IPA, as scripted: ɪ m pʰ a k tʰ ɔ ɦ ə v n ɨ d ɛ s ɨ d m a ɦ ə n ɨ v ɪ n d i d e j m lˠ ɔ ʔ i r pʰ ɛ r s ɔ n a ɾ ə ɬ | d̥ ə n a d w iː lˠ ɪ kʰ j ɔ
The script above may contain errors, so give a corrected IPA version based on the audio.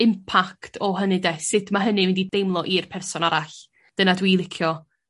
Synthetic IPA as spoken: ɪ m pʰ a k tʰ ɔ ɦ ə n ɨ d ɛ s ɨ d m a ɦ ə n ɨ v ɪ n d i d e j m lˠ ɔ ʔ i r pʰ ɛ r s ɔ n a ɾ a ɬ | d̥ ə n a d w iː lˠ ɪ kʰ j ɔ